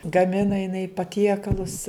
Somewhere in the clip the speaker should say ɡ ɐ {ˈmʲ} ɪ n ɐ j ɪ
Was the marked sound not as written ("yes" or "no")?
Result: no